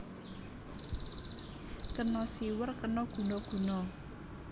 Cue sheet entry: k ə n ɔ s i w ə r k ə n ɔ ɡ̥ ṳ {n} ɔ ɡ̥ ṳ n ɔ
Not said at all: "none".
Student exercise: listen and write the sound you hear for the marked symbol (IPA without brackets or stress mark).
n